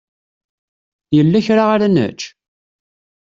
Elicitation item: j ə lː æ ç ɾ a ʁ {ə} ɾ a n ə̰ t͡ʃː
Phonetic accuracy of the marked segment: incorrect: a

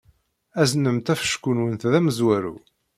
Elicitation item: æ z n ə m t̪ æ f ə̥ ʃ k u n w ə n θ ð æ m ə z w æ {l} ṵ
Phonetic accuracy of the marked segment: incorrect: ɾ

